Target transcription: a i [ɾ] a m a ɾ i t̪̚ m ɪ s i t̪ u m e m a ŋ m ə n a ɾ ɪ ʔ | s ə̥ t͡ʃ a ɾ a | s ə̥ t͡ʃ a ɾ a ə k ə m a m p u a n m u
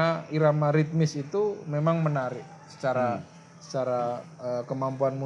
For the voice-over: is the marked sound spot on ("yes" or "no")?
yes